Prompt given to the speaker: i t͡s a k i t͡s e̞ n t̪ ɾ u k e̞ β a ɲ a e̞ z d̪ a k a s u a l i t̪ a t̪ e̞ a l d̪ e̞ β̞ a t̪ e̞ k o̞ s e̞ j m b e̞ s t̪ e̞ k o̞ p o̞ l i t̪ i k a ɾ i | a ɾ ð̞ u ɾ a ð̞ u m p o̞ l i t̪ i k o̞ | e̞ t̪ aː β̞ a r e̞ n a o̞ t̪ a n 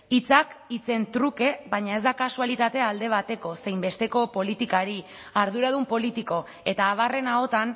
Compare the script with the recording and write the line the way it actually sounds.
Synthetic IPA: i t͡s a k i t͡s e̞ n t̪ ɾ u k e̞ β a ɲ a e̞ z d̪ a k a s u a l i t̪ a t̪ e̞ a l d̪ e̞ β̞ a t̪ e̞ k o̞ s e̞ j m b e̞ s t̪ e̞ k o̞ p o̞ l i t̪ i k a ɾ i | a ɾ ð̞ u ɾ a ð̞ u m p o̞ l i t̪ i k o̞ | e̞ t̪ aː β̞ a r e̞ n a o̞ t̪ a n